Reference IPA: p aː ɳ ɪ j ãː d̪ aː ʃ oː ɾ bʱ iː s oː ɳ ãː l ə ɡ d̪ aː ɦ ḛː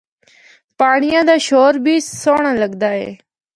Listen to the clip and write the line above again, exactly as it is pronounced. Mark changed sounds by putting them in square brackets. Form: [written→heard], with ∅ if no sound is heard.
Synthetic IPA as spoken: p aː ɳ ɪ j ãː d̪ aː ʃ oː ɾ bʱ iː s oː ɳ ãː l ə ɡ d̪ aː ɦ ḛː

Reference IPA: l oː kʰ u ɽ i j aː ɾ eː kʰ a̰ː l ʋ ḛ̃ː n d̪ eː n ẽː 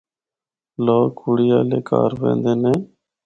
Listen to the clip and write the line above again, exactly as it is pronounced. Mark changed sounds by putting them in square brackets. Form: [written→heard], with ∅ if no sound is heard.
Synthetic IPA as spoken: l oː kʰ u ɽ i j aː [ɾ→l] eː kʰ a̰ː [l→ɾ] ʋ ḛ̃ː n d̪ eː n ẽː

